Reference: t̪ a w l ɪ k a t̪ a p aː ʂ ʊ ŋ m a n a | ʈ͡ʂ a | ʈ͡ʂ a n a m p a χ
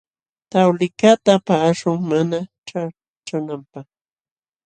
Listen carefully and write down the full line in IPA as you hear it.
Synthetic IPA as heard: t̪ a w l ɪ k a t̪ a p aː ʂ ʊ ŋ m a n a | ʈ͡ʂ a | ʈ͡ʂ a n a m p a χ